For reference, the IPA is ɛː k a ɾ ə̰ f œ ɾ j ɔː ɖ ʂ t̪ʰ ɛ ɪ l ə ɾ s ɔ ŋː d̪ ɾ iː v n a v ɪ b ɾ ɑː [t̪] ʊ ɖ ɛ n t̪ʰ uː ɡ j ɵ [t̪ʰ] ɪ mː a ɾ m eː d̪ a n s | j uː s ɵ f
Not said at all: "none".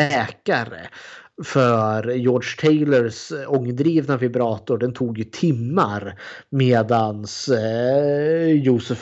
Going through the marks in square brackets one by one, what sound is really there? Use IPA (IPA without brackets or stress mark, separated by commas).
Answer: t̪, t̪ʰ